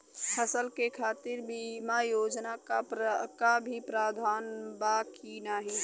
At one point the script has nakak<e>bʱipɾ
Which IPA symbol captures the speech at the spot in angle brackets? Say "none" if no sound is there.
a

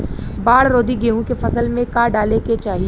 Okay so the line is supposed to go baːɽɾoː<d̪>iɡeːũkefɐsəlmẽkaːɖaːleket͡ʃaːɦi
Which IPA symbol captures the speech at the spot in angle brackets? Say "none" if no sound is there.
d̪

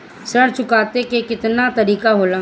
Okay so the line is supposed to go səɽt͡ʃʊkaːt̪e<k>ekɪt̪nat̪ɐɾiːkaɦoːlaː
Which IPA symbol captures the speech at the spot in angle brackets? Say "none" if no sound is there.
k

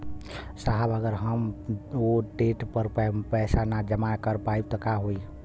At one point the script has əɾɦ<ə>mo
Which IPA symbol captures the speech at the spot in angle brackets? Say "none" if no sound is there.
ə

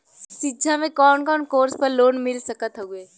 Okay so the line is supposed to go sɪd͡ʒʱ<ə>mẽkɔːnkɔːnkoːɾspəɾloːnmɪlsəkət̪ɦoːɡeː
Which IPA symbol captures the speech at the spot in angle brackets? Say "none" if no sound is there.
a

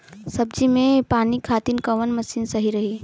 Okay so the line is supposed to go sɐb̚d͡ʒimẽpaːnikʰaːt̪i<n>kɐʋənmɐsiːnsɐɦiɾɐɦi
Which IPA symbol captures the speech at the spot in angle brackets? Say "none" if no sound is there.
n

